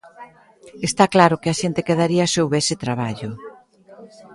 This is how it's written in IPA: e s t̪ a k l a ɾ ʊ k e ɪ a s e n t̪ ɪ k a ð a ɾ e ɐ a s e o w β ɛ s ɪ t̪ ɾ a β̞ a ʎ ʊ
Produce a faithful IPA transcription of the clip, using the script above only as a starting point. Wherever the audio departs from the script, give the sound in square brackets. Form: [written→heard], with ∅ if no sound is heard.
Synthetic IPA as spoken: e s t̪ a k l a ɾ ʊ k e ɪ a [s→ʃ] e n t̪ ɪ k [a→e] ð a ɾ [e→i] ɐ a s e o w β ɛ s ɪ t̪ ɾ a β̞ a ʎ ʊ